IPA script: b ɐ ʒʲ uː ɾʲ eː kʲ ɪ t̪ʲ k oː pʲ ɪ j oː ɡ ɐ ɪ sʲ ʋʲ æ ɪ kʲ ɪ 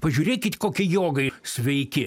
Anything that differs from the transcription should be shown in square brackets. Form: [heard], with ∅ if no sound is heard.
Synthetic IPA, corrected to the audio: [p] ɐ ʒʲ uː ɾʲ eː kʲ ɪ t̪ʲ k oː [kʲ] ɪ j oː ɡ ɐ ɪ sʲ ʋʲ [ɛ] ɪ kʲ ɪ